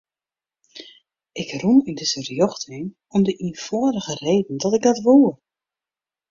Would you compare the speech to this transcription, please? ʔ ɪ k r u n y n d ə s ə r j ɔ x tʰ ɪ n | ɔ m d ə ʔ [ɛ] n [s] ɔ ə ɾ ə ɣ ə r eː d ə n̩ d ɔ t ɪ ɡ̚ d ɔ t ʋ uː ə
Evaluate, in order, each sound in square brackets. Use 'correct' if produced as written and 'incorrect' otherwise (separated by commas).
incorrect, incorrect